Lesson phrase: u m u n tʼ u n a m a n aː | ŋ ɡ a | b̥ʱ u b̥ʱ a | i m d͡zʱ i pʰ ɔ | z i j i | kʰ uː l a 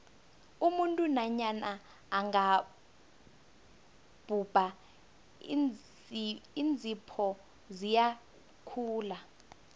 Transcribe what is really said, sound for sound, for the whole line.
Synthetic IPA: u m u n tʼ u n a ɲ a n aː | ŋ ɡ a | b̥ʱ u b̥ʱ a | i n d͡zʱ i pʰ ɔ | z i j a | kʰ uː l a